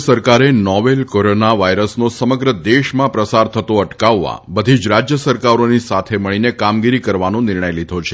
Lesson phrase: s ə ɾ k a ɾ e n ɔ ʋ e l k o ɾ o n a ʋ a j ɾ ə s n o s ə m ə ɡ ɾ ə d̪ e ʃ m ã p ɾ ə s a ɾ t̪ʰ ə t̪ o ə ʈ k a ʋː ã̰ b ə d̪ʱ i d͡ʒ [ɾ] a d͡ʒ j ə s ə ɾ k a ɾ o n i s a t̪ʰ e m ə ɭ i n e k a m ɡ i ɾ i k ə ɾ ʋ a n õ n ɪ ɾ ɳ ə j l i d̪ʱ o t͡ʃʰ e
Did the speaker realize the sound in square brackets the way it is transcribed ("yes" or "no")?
yes